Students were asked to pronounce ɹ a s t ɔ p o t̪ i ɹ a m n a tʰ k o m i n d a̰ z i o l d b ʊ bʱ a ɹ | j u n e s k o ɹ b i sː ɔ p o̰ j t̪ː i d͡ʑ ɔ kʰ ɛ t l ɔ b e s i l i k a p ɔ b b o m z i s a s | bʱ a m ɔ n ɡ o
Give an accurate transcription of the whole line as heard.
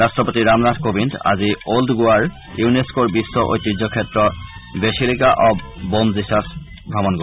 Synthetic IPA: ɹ a s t ɔ p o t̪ i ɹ a m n a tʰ k o b i n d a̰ z i o l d ɡ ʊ a ɹ | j u n e s k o ɹ b i sː ɔ ʔ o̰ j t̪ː i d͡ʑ ɔ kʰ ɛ t ɹ ɔ b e s i l i k a ʔ ɔ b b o m z i s a s | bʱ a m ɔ n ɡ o